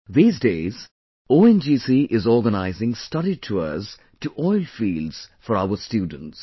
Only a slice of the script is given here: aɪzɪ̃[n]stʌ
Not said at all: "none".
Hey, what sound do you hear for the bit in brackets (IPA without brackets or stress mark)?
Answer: ŋ